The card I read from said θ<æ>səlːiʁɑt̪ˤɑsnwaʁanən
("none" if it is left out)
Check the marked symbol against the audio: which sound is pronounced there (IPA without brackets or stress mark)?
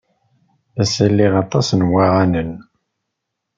æ